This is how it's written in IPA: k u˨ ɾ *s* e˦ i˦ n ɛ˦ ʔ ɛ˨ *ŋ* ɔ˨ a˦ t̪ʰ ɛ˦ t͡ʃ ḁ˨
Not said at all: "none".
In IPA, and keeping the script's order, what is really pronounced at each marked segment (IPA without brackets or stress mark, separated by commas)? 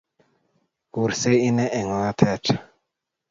s, ŋ